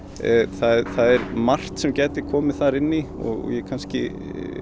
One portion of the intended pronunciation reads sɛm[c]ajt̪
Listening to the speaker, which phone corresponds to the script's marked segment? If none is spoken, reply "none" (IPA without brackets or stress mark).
c